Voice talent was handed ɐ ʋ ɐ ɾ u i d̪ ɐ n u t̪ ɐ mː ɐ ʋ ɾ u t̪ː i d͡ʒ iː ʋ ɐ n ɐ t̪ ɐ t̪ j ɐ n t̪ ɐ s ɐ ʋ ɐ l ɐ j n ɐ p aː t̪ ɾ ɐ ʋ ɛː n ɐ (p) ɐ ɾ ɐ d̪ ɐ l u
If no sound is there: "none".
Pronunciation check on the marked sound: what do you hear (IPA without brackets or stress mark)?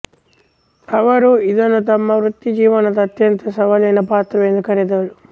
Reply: k